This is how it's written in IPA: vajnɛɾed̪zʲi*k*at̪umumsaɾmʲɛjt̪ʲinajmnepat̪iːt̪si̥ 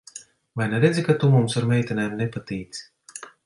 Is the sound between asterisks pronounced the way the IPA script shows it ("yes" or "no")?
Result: yes